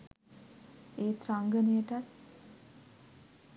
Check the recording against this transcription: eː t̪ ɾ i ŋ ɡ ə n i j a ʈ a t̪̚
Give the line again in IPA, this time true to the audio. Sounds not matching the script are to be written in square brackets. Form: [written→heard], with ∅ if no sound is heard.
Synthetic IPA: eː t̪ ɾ [i→a] ŋ ɡ ə n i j [a→ə] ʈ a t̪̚